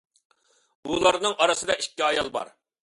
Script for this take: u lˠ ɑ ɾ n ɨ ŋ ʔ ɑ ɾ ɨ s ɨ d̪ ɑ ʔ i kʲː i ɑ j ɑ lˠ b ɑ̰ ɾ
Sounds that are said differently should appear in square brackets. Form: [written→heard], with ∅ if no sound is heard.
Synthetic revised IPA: u lˠ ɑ ɾ n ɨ ŋ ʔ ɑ ɾ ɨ s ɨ d̪ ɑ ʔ i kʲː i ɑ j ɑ lˠ b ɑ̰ ɾ